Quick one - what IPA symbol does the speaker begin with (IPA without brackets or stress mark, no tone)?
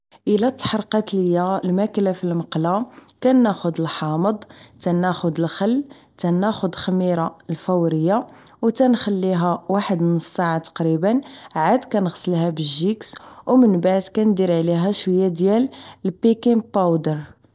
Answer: ʔ